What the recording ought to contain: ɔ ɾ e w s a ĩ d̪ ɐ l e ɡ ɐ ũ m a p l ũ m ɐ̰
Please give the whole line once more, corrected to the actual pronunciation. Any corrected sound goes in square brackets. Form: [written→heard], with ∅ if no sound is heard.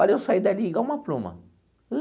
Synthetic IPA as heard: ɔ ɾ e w s a [ĩ→i] d̪ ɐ l [e→i] ɡ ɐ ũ m [a→ɐ] p l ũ m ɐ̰